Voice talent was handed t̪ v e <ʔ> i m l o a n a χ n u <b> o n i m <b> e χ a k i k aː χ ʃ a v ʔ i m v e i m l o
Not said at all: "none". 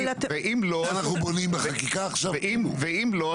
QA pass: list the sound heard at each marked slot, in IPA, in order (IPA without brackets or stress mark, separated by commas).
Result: ʔ, b, b